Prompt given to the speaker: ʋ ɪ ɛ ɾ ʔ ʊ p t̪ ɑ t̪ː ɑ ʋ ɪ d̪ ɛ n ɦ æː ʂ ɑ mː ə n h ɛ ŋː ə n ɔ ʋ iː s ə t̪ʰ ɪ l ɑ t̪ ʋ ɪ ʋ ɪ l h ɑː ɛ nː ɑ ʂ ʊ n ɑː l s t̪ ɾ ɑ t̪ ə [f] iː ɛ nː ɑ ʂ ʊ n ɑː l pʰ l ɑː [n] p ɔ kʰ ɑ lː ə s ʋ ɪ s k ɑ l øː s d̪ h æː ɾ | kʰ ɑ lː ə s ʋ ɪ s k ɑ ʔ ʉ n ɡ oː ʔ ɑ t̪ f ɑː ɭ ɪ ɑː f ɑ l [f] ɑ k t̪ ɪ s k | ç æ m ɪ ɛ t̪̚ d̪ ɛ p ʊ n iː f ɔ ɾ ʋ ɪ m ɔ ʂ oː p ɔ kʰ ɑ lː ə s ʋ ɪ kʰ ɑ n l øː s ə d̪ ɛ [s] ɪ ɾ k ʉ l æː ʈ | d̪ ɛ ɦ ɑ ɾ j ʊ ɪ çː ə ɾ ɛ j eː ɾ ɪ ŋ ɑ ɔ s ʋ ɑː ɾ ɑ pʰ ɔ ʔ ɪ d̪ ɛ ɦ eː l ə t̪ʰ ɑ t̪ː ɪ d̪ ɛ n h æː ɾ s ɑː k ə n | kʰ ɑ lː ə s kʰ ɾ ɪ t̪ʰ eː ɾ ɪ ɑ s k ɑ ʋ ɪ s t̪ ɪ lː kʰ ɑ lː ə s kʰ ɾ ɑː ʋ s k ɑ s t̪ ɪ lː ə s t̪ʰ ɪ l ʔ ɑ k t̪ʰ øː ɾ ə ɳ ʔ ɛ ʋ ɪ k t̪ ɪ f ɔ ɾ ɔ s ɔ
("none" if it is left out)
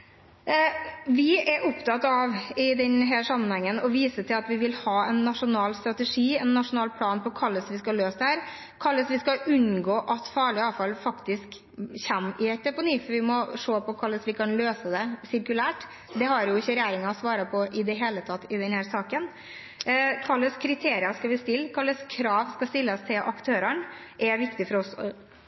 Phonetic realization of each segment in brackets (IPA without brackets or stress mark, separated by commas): ʂ, n, f, s